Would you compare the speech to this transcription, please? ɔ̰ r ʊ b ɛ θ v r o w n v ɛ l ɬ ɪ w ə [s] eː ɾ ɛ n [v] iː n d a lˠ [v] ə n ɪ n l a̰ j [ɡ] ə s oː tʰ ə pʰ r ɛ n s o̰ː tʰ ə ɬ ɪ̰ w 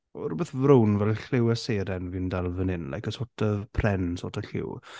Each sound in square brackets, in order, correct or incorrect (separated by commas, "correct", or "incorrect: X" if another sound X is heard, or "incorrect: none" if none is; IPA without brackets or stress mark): correct, correct, correct, incorrect: k